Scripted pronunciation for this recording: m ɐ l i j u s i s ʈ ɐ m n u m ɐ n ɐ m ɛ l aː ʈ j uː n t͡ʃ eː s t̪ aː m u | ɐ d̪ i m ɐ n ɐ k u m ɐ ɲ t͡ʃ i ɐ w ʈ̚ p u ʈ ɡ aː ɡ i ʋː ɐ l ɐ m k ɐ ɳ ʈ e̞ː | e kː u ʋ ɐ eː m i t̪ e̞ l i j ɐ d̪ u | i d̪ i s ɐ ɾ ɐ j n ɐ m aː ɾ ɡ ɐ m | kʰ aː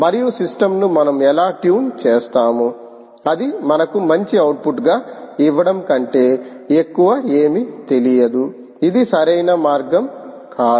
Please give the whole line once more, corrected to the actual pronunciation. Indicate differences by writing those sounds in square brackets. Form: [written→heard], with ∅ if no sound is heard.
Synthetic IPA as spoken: m ɐ [l→ɾ] i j u s i s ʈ ɐ m n u m ɐ n ɐ m ɛ l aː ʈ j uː n t͡ʃ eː s t̪ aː m u | ɐ d̪ i m ɐ n ɐ k u m ɐ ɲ t͡ʃ i ɐ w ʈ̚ p u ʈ ɡ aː [ɡ→∅] i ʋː ɐ [l→ɽ] ɐ m k ɐ ɳ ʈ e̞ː | e kː u ʋ ɐ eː m i t̪ e̞ l i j ɐ d̪ u | i d̪ i s ɐ ɾ ɐ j n ɐ m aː ɾ ɡ ɐ m | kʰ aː